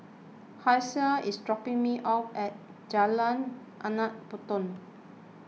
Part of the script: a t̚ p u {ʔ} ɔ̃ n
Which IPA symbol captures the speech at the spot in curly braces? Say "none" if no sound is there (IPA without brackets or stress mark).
t